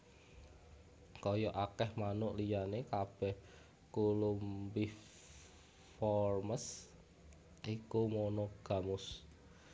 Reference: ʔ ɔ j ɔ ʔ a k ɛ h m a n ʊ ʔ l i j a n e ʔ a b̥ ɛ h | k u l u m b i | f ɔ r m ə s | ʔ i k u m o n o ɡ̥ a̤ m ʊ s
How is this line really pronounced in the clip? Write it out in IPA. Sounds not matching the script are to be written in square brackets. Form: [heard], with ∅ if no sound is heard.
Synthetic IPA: [k] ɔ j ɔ ʔ a k ɛ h m a n ʊ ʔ l i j a n e [k] a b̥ ɛ h | k u l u m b i | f ɔ r m ə s | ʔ i k u m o n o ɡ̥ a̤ m ʊ s